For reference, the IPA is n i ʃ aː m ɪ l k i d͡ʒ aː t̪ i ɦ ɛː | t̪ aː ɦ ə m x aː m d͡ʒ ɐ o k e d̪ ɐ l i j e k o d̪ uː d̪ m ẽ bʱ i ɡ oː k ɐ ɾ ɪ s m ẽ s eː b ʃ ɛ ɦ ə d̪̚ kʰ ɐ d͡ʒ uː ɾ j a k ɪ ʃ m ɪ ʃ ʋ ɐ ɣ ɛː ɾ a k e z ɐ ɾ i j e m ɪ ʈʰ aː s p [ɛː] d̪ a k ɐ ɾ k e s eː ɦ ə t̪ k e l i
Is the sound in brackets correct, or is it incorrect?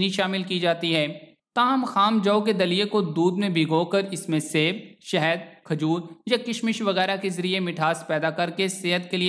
correct